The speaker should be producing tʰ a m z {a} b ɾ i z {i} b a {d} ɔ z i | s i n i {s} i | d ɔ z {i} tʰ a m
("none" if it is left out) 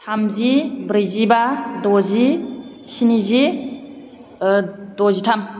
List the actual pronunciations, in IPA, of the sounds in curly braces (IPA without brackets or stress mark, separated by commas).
i, i, d, z, i